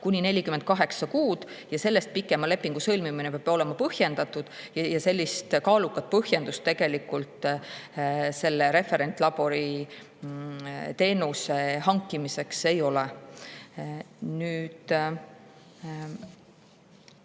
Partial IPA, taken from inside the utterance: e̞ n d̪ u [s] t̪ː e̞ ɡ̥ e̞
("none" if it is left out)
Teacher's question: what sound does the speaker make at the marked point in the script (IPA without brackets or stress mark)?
s